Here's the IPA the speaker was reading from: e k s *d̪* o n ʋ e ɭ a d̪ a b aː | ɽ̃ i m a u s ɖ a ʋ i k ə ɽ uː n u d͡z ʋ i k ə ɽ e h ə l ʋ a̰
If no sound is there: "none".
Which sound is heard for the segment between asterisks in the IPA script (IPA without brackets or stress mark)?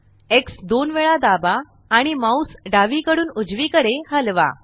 d̪